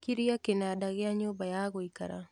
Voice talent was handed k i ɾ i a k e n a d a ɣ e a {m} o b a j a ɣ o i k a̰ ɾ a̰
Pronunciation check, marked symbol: incorrect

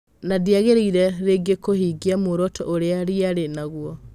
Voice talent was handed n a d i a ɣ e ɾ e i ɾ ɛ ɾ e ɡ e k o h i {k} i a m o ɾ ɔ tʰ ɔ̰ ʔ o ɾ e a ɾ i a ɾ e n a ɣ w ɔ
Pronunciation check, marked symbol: incorrect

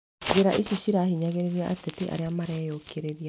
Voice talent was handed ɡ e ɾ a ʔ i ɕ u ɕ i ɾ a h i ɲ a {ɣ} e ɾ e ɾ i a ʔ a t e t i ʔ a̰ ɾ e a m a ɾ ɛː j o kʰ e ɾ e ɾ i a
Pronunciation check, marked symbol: correct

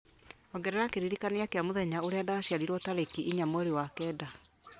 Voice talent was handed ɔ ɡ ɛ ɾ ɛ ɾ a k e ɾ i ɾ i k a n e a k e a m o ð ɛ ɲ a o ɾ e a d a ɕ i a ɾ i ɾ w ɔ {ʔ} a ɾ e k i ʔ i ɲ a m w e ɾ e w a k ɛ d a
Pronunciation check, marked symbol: incorrect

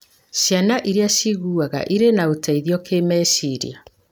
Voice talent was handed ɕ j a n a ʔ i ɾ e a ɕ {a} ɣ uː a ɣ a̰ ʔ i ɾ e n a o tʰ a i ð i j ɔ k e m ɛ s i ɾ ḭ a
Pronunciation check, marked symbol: incorrect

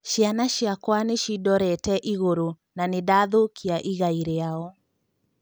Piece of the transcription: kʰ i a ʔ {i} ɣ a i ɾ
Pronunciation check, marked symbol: correct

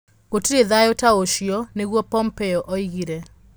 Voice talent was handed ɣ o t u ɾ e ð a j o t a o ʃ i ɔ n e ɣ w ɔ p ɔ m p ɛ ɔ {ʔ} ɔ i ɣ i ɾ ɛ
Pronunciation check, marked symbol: correct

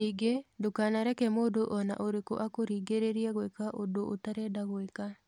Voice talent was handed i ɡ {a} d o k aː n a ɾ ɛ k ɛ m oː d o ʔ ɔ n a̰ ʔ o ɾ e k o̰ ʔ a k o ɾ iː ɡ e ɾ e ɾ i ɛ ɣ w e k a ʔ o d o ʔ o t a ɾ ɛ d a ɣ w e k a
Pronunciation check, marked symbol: incorrect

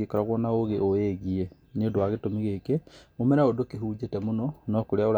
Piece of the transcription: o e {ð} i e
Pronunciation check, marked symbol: incorrect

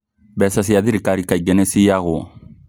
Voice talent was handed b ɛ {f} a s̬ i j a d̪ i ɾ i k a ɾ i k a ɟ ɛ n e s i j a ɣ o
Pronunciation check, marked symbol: incorrect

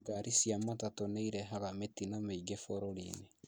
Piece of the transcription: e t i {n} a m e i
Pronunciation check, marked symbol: correct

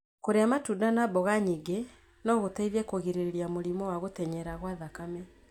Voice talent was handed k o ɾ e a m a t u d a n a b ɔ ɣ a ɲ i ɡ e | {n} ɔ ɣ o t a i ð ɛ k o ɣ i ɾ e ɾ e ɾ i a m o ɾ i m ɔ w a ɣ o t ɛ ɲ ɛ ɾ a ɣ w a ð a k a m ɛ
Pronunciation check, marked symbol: correct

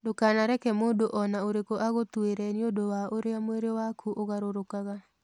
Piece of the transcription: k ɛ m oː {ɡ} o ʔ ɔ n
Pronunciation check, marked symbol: incorrect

